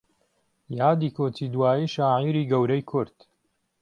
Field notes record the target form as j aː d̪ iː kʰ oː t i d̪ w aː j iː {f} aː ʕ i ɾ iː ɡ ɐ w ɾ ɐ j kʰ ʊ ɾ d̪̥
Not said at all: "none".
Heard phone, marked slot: ʃ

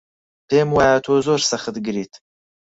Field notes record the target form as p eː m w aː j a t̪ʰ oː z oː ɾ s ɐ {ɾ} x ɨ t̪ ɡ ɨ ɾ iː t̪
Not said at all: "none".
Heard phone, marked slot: none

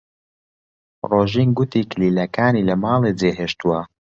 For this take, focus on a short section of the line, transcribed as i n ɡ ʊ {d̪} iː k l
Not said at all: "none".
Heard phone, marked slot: t̪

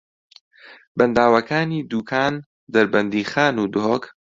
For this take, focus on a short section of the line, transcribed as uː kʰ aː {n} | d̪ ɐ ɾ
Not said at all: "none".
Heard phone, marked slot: n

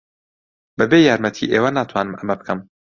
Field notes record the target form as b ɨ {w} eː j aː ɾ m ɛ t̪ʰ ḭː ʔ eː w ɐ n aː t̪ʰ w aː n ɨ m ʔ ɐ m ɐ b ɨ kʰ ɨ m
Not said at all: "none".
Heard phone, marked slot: b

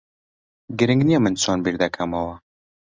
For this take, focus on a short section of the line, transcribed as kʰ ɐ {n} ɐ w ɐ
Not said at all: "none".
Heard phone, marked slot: m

